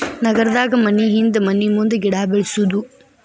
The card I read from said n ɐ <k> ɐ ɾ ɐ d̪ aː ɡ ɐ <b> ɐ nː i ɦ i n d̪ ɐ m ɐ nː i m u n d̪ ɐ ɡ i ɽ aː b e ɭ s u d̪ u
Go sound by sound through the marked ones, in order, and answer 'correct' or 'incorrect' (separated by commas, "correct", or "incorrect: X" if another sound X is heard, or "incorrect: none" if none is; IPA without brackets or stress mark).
incorrect: ɡ, incorrect: m